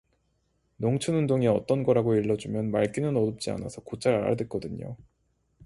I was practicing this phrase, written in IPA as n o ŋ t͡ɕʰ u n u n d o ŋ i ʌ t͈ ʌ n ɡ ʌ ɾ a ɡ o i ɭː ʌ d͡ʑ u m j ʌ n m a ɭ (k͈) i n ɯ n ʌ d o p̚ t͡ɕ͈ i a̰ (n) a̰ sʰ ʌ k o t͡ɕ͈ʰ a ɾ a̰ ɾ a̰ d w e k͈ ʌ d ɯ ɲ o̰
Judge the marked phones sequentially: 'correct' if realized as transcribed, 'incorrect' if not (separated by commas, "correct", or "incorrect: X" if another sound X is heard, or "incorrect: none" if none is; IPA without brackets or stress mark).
correct, correct